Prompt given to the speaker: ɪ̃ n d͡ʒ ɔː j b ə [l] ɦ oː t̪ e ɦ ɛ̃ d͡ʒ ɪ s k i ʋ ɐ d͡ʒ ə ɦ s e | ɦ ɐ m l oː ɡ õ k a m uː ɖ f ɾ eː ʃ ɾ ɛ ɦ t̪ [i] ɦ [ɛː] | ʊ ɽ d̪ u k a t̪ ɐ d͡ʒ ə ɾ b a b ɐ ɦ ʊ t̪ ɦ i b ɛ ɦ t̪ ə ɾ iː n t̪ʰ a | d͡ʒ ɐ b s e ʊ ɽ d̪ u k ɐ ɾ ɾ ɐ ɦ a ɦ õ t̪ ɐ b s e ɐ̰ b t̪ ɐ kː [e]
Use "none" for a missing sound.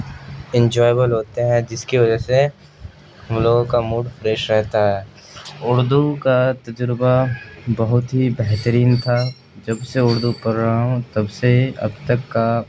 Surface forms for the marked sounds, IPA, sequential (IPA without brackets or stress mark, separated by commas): l, a, ɛː, a